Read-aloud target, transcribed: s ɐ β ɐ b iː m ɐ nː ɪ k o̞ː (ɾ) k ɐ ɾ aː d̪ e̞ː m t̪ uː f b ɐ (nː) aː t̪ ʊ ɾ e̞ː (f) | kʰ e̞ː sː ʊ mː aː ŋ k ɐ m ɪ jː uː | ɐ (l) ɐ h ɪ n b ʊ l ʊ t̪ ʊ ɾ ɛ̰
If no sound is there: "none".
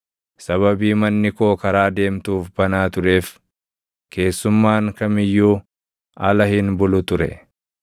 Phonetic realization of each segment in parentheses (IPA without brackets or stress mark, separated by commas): none, n, f, l